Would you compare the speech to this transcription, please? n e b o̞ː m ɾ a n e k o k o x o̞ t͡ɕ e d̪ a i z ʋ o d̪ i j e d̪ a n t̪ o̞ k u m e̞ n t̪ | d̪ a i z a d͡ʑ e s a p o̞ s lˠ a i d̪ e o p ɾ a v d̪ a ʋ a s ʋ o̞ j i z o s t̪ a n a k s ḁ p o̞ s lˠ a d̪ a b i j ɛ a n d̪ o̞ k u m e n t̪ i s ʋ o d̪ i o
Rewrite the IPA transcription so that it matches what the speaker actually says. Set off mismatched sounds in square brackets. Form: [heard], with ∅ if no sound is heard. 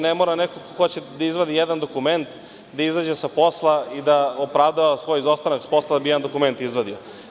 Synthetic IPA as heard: n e [m] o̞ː [∅] ɾ a n e k o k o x o̞ t͡ɕ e d̪ a i z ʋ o d̪ i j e d̪ a n [d̪] o̞ k u m e̞ n t̪ | d̪ a i z a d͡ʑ e s a p o̞ s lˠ a i d̪ [a] o p ɾ a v d̪ a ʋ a s ʋ o̞ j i z o s t̪ a n a k s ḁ p o̞ s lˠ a d̪ a b i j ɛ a n d̪ o̞ k u m e n t̪ i [z] ʋ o d̪ i o